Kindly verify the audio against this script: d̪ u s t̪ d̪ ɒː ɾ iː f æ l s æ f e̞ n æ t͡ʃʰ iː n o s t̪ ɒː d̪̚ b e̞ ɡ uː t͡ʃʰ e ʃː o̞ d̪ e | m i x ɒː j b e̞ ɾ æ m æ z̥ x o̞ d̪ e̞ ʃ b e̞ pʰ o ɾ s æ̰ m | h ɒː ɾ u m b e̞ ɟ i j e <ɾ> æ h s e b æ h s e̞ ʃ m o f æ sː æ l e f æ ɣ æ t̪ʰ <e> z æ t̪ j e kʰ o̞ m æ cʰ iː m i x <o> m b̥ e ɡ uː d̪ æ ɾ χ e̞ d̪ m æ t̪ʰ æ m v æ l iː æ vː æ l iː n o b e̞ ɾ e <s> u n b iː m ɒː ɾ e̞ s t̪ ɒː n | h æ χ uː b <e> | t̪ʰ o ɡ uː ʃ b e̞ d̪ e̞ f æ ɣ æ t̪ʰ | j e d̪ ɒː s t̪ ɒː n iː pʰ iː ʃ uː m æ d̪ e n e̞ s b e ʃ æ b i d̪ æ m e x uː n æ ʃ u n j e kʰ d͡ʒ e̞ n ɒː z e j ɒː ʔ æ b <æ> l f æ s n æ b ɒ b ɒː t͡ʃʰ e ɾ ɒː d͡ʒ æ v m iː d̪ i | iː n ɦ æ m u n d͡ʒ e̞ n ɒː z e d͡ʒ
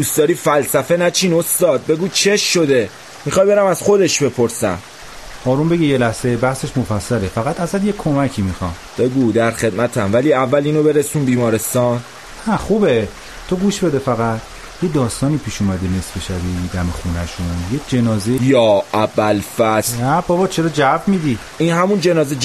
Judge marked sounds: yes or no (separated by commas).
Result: no, no, no, yes, yes, yes